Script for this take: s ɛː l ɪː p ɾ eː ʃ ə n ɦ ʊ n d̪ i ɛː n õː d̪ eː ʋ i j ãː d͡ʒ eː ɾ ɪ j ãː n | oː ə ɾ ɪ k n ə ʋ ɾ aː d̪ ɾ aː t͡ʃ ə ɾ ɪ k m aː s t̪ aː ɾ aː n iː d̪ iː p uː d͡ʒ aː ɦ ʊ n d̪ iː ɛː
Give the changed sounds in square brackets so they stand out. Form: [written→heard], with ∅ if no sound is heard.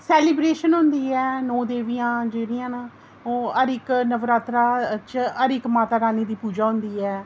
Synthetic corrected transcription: s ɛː l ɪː [p→b] ɾ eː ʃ ə n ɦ ʊ n d̪ [i→iː] ɛː n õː d̪ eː ʋ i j ãː d͡ʒ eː ɾ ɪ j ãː n | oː ə ɾ ɪ k n ə ʋ ɾ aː [d̪→t̪] ɾ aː t͡ʃ ə ɾ ɪ k m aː [s→∅] t̪ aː ɾ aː n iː d̪ iː p uː d͡ʒ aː ɦ ʊ n d̪ iː ɛː